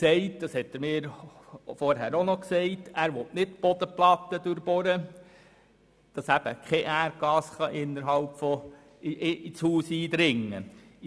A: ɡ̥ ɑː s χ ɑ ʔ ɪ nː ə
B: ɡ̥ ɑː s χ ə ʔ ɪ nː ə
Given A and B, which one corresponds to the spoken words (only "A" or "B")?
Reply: A